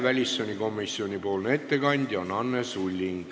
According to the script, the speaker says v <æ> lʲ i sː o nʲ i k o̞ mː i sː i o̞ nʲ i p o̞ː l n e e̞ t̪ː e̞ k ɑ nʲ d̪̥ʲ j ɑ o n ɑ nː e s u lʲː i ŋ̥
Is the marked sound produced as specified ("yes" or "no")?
yes